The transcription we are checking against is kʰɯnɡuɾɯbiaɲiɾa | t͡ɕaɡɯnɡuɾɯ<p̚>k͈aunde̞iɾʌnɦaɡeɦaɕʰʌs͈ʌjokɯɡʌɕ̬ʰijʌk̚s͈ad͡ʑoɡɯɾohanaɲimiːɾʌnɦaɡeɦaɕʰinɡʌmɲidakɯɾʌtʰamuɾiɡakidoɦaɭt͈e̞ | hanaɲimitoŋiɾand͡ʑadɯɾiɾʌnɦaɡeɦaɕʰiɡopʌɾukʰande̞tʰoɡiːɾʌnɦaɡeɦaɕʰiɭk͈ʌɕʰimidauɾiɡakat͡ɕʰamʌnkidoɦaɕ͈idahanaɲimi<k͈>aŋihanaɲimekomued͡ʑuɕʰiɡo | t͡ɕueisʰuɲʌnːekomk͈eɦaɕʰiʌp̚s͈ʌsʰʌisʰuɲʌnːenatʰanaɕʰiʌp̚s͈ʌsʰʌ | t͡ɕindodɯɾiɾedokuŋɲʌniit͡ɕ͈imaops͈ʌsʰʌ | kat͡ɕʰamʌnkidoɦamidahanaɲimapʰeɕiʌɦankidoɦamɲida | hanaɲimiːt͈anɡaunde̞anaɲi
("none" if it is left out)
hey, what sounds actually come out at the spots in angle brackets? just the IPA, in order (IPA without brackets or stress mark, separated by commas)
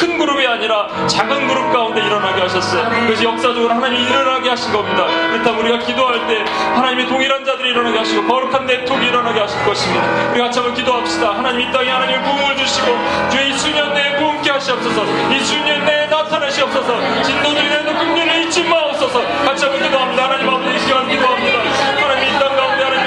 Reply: p̚, t͈